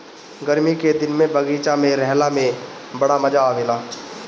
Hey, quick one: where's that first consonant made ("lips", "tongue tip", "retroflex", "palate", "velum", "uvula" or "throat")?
velum